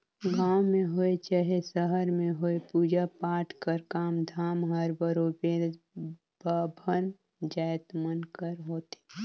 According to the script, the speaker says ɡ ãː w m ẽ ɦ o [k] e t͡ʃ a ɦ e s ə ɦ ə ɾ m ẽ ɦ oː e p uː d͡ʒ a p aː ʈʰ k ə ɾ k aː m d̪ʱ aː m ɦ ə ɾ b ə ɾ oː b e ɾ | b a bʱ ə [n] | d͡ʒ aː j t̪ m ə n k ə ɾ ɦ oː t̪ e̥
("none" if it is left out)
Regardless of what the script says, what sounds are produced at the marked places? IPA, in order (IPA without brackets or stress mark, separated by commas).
none, n